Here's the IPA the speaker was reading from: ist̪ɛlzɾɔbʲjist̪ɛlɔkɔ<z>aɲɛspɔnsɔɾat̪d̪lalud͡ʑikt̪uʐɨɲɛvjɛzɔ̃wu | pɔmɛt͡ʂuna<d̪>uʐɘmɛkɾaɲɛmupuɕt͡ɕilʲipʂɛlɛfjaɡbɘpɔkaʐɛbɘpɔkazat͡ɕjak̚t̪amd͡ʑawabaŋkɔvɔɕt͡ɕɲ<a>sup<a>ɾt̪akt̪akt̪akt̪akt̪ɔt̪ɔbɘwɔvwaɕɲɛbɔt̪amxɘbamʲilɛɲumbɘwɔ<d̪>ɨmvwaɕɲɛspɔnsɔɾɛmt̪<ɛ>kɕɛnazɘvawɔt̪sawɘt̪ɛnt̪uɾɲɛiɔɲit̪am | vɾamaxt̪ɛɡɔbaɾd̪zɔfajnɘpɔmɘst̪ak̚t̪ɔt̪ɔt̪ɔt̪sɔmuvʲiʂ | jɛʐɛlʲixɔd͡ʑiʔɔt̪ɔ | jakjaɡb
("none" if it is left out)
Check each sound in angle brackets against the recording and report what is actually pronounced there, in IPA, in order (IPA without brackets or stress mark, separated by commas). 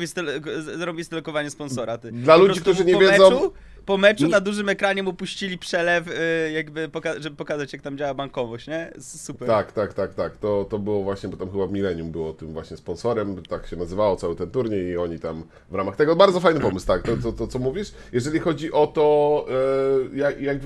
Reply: v, d̪, ɛ, ɛ, t̪, a